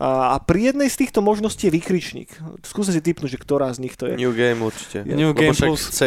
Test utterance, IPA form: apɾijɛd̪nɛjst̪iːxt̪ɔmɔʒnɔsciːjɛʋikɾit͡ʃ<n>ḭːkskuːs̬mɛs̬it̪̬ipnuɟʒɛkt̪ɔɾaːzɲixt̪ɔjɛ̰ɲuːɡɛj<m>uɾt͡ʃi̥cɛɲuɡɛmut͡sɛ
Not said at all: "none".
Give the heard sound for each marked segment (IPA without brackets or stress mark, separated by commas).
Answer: ɲ, m